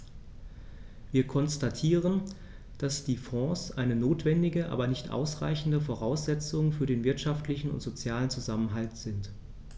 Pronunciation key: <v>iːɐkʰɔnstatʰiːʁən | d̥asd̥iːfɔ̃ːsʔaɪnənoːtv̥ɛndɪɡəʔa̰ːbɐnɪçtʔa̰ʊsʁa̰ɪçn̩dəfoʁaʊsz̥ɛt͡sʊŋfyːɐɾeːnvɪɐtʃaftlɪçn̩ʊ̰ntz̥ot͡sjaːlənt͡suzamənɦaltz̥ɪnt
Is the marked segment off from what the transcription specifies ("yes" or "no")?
no